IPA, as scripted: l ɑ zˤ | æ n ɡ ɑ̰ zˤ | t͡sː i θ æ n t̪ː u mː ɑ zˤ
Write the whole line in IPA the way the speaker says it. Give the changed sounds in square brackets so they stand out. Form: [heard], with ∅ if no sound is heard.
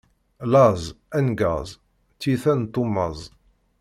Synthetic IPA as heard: l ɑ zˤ | æ n ɡ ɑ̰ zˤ | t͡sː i θ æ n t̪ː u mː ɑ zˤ